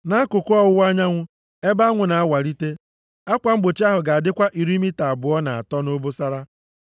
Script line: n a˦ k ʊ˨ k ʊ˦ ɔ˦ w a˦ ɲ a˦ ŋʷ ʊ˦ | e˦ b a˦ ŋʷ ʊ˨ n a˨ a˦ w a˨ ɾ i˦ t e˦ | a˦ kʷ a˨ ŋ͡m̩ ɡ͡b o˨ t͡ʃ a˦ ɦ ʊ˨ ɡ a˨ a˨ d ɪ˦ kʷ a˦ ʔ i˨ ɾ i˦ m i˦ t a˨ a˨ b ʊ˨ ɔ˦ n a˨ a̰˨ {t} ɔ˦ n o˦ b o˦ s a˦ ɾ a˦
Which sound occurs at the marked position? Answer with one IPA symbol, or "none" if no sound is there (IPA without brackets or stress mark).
t